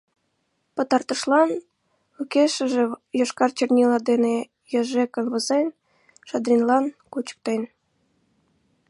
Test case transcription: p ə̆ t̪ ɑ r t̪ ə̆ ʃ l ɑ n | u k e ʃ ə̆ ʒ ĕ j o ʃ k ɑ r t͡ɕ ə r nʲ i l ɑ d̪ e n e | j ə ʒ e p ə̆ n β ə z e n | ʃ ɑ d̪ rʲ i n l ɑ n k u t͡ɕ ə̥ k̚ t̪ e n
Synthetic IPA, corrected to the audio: p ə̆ t̪ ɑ r t̪ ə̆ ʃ l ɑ n | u k e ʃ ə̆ ʒ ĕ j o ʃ k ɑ r t͡ɕ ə r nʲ i l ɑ d̪ e n e | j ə ʒ e k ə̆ n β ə z e n | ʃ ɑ d̪ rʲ i n l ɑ n k u t͡ɕ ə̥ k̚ t̪ e n